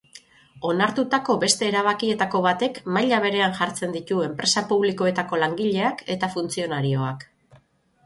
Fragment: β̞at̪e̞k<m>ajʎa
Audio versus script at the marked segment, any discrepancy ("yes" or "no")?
no